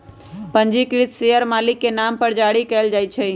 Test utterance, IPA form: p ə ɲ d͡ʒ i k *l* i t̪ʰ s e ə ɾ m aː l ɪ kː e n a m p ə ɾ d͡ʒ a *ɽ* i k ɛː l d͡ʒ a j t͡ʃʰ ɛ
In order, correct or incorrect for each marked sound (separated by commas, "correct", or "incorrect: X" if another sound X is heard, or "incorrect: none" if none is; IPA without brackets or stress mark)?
incorrect: ɾ, correct